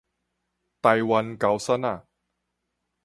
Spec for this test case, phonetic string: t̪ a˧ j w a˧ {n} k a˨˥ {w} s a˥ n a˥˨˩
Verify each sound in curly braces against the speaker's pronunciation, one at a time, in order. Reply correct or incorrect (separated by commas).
correct, correct